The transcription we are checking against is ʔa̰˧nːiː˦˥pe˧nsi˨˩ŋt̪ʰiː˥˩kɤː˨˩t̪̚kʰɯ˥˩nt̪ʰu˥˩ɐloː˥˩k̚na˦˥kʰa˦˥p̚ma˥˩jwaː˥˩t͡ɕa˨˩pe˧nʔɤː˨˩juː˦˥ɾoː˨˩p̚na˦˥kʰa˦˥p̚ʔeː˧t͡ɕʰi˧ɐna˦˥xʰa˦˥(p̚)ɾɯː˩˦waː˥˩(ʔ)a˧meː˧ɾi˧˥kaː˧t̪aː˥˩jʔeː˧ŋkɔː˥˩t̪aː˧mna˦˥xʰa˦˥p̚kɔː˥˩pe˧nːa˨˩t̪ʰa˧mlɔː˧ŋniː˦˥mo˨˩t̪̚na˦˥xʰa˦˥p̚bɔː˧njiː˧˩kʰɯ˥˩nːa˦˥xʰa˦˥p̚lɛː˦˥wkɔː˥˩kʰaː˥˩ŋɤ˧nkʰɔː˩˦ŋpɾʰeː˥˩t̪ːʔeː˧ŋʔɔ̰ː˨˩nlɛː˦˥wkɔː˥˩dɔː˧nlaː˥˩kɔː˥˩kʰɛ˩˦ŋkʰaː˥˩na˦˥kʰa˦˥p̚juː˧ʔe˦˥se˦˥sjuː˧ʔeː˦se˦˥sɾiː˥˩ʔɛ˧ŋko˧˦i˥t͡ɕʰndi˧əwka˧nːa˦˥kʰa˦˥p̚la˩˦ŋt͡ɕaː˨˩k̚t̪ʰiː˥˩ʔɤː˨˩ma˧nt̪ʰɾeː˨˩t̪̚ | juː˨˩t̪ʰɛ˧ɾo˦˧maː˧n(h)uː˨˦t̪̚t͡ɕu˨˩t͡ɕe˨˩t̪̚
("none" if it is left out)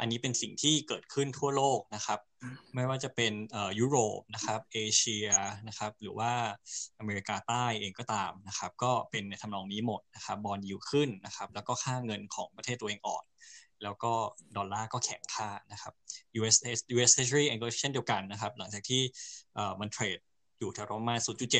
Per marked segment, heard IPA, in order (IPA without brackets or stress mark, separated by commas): p̚, ʔ, s